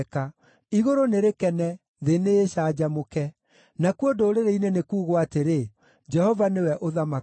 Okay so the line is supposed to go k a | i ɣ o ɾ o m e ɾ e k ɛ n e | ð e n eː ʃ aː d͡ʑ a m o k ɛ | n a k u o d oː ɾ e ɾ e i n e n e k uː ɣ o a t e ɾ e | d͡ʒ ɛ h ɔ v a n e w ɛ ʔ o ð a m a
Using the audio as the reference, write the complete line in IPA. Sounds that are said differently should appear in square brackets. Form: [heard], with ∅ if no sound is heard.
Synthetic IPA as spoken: k a | i ɣ o ɾ o [n] e ɾ e k ɛ n [ɛ] | ð e n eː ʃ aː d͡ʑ a m o k ɛ | n a k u o d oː ɾ e ɾ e i n e n e k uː ɣ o a t e ɾ e | d͡ʒ ɛ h ɔ v a n e w ɛ ʔ o ð a m a